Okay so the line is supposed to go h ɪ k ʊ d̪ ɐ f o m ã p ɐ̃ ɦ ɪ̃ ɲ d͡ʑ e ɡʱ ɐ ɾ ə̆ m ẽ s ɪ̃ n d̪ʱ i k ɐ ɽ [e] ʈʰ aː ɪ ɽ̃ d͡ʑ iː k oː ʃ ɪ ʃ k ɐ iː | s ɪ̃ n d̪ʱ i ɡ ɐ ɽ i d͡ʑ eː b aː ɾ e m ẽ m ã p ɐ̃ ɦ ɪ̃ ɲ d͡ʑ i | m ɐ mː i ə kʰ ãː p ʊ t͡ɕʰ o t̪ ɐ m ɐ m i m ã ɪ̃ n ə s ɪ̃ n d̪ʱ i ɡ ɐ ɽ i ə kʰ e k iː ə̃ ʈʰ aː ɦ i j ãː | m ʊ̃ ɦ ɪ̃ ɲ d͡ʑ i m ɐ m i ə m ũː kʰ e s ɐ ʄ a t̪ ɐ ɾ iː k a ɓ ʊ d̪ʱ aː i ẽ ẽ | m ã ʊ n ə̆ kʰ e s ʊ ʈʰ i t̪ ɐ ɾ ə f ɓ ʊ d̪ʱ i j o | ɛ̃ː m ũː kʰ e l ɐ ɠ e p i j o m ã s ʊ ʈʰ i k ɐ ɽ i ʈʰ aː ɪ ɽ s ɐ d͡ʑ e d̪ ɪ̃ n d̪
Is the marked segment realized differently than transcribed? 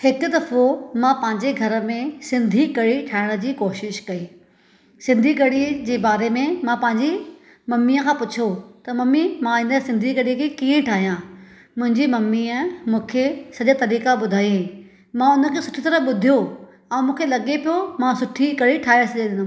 yes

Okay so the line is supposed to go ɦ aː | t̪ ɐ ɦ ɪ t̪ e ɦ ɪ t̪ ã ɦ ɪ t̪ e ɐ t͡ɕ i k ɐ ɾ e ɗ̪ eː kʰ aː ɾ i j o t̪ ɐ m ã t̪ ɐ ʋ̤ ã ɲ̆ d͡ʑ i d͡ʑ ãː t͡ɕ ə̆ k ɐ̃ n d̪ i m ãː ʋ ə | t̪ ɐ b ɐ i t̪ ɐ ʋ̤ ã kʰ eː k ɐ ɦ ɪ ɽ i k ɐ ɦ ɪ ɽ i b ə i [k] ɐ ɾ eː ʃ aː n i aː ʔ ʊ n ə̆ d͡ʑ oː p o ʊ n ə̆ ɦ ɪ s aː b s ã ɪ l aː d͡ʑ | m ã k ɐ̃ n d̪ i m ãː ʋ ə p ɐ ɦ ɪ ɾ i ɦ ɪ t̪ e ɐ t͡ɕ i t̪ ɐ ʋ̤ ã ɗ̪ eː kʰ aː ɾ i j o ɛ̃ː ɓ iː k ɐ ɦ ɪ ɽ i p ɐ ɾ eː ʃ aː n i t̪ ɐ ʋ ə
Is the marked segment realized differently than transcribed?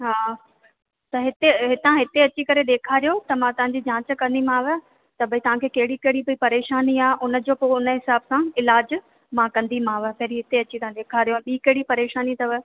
yes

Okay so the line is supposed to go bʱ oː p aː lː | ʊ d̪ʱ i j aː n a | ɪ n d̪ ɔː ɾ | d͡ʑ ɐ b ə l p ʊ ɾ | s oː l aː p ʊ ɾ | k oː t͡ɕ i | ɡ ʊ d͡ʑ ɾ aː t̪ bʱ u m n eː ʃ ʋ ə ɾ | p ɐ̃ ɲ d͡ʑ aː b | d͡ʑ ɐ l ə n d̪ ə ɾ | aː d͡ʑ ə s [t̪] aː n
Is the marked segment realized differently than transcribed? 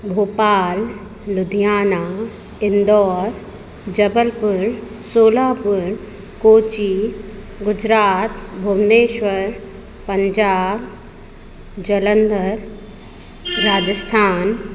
yes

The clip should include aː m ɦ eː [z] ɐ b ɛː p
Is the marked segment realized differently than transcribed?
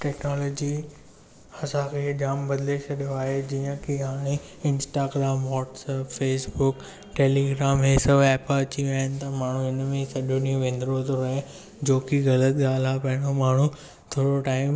yes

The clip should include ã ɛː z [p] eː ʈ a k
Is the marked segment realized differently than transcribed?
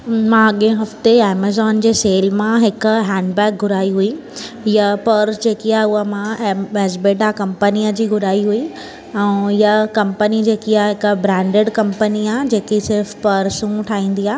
yes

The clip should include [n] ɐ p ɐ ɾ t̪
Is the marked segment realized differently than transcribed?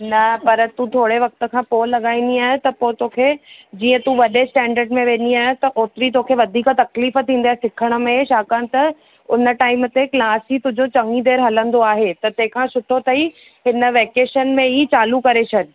no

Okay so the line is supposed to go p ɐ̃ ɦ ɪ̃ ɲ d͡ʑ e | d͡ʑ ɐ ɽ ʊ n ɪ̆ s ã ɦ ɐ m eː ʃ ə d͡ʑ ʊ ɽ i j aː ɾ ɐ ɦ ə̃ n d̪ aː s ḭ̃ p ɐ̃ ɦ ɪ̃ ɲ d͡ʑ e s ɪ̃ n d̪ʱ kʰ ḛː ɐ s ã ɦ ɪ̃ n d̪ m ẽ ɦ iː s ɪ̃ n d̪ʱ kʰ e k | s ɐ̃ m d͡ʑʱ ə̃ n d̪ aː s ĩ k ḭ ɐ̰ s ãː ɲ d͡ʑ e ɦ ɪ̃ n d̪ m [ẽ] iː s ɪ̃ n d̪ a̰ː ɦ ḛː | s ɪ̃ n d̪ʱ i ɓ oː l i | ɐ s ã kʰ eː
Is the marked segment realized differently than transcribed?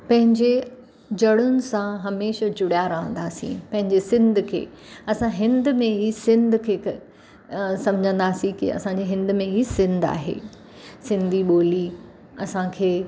no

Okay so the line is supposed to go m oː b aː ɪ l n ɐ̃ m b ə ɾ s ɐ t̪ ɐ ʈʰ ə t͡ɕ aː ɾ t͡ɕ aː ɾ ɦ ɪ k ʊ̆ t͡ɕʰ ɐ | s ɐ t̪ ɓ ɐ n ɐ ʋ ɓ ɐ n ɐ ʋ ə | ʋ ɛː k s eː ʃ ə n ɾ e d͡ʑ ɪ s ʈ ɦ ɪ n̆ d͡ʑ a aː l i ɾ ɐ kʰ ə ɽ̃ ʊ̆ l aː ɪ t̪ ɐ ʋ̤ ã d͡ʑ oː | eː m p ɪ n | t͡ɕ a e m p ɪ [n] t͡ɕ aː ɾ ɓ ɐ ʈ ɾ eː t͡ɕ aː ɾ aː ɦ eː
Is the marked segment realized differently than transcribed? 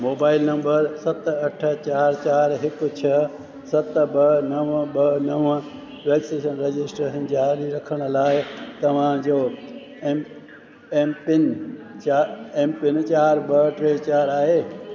no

